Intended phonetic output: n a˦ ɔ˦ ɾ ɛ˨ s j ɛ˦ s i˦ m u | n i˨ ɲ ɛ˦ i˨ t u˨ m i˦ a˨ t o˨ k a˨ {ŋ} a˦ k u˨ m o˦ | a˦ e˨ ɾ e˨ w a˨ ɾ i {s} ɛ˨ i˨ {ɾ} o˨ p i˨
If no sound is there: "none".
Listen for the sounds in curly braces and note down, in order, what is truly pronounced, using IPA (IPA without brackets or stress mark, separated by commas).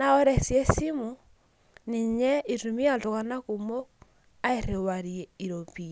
n, none, ɾ